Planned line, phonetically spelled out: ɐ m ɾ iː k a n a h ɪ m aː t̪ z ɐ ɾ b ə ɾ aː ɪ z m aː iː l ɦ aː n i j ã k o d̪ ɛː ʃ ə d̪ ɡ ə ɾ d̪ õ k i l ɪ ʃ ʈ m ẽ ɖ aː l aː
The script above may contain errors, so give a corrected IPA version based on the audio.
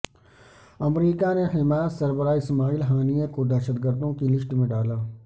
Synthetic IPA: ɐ m ɾ iː k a n e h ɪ m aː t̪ s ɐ ɾ b ə ɾ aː ɪ s m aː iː l ɦ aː n i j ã k o d̪ ɛː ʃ ə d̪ ɡ ə ɾ d̪ õ k i l ɪ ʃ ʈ m ẽ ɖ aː l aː